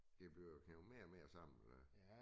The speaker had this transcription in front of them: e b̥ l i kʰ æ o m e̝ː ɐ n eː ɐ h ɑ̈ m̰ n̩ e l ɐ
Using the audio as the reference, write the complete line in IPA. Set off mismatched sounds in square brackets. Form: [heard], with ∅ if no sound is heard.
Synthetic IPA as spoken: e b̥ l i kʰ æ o m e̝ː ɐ [m] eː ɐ [s] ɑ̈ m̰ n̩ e l ɐ